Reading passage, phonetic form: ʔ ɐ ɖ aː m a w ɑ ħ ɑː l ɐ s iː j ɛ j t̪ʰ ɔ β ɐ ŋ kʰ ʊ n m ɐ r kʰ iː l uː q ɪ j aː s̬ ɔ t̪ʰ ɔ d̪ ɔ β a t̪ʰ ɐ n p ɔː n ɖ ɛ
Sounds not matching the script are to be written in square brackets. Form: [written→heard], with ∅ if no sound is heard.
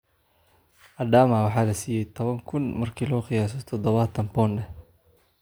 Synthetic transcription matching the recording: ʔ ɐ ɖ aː m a w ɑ ħ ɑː l ɐ s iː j ɛ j t̪ʰ ɔ β ɐ ŋ kʰ ʊ n m ɐ r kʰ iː l [uː→ɔː] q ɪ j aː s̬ ɔ t̪ʰ ɔ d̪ ɔ β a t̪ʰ ɐ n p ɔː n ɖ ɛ

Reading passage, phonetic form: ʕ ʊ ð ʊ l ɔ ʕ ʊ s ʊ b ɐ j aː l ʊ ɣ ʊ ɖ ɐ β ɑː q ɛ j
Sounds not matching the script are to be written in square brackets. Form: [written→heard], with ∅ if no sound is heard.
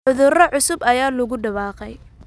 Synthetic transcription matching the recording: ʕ ʊ ð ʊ [l→r] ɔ ʕ ʊ s ʊ b ɐ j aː l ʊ ɣ ʊ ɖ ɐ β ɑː q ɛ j

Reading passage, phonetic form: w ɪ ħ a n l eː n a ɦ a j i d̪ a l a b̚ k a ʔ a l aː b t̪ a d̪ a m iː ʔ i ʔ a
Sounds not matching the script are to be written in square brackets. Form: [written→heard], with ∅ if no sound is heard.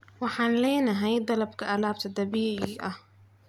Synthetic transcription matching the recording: w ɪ ħ a n l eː n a ɦ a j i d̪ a l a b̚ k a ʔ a l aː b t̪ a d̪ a [m→b] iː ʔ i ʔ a

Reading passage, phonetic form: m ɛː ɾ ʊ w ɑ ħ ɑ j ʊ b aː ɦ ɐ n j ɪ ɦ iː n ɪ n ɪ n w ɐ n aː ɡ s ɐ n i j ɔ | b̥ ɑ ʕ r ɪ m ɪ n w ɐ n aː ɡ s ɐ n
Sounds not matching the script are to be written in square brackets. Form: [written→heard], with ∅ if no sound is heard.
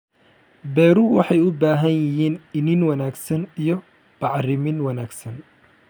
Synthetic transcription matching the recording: [m→b] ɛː ɾ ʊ w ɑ ħ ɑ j ʊ b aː ɦ ɐ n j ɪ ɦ iː n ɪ n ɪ n w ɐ n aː ɡ s ɐ n i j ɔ | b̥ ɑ ʕ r ɪ m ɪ n w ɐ n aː ɡ s ɐ n

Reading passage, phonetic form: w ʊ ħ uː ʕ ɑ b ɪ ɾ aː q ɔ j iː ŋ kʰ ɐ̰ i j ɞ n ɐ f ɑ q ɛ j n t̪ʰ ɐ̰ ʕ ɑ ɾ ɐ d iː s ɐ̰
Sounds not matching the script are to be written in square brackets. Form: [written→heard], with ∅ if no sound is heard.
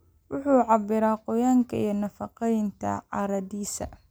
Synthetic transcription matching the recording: w ʊ ħ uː ʕ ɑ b ɪ ɾ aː q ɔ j [iː→aː] ŋ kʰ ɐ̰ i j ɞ n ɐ f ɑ q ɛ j n t̪ʰ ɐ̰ ʕ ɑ ɾ ɐ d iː s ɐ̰

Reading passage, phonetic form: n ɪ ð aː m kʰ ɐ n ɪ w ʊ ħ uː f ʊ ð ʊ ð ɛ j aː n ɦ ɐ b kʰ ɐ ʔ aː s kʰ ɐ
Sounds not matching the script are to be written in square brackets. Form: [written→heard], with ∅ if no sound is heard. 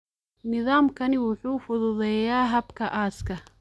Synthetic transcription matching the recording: n ɪ ð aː m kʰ ɐ n ɪ w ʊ ħ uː f ʊ ð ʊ ð ɛ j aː [n→∅] ɦ ɐ b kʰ ɐ ʔ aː s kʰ ɐ

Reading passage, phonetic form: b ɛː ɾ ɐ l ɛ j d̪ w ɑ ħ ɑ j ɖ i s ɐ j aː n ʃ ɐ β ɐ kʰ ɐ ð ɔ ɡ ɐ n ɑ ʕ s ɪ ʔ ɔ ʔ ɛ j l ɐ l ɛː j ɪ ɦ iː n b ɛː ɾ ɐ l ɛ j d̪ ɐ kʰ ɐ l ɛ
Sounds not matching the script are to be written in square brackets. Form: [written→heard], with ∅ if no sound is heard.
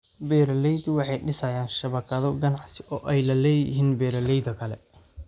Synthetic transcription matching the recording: b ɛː ɾ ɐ l ɛ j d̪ w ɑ ħ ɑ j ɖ [i→ɪ] s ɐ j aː n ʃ ɐ β ɐ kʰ ɐ ð ɔ ɡ ɐ n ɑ ʕ s ɪ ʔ [ɔ→ɔː] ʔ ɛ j l ɐ l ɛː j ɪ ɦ iː n b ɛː ɾ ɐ l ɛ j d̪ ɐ kʰ ɐ l ɛ

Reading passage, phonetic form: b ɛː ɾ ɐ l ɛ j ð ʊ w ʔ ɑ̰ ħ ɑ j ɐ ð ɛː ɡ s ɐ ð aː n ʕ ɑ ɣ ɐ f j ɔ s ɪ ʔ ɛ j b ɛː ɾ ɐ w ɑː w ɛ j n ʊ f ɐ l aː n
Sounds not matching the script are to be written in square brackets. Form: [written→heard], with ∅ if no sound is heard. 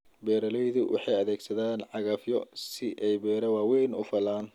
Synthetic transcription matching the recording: b ɛː ɾ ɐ l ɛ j ð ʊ w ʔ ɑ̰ ħ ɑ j ɐ ð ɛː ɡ s ɐ ð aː n ʕ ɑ ɣ ɐ f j ɔ s ɪ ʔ ɛ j b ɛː ɾ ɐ w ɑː w ɛ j n ʊ f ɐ l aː n

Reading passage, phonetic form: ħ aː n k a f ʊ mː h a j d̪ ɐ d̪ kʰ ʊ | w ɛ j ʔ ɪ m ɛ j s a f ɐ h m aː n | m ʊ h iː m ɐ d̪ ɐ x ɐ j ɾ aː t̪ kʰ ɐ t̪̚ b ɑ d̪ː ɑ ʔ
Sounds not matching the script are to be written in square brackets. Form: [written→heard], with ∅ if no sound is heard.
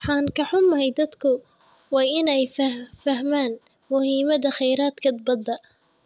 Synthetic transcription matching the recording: ħ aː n k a [f→ħ] ʊ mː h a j d̪ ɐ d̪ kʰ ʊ | w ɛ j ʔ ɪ [m→n] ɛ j [s→f] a f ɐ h m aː n | m ʊ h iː m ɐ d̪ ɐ x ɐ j ɾ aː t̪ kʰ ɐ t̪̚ b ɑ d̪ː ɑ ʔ

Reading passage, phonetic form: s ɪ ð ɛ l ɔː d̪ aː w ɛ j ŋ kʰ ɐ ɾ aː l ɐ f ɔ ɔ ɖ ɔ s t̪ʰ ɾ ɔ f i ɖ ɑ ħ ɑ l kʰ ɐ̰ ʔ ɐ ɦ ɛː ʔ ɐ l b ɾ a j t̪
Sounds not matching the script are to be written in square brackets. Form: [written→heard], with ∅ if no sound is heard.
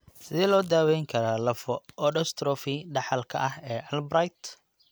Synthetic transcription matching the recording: s ɪ ð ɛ l ɔː d̪ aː w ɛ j ŋ kʰ ɐ ɾ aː l ɐ f ɔ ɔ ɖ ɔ s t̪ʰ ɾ ɔ f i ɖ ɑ ħ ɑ l kʰ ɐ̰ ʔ ɐ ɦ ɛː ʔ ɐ l b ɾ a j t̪

